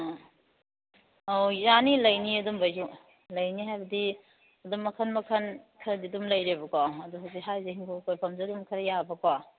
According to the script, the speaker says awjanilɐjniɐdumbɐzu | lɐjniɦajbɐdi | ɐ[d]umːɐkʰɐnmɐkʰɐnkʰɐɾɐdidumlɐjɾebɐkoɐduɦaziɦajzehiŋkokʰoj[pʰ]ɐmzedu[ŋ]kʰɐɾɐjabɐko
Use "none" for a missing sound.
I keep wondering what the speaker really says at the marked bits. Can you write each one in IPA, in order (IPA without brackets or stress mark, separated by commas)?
d, pʰ, m